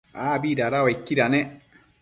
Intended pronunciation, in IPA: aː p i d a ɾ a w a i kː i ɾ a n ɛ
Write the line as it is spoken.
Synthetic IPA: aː b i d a ɾ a w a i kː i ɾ a n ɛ